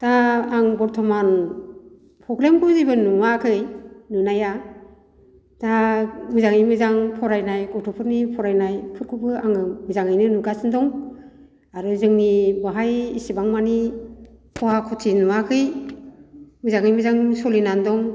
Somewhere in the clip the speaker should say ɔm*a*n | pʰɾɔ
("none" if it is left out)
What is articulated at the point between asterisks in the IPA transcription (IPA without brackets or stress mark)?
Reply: a